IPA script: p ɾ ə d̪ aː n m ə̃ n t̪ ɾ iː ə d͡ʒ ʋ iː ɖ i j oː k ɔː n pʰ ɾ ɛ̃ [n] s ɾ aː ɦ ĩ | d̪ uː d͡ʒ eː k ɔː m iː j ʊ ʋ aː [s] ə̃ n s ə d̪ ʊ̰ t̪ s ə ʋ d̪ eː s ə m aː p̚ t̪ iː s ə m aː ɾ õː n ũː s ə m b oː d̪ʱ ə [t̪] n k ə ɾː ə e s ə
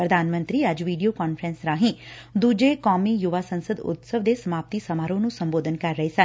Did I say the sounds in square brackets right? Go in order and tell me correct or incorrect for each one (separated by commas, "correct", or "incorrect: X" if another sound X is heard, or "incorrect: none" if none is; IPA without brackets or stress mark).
correct, correct, incorrect: none